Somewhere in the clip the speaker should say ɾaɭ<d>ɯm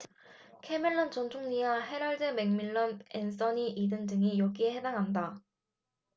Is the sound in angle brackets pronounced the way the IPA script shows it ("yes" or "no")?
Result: yes